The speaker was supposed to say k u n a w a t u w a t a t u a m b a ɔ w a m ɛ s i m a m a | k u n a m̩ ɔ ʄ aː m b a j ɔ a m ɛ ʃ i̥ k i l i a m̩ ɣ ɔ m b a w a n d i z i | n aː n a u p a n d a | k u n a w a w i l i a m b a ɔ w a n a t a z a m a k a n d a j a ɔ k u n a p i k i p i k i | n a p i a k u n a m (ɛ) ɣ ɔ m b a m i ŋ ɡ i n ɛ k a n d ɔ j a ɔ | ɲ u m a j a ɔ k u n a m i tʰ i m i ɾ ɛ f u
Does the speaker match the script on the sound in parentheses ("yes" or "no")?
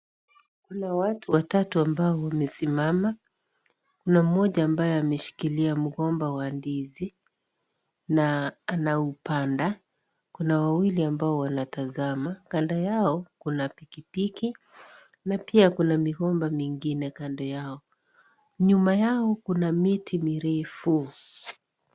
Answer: no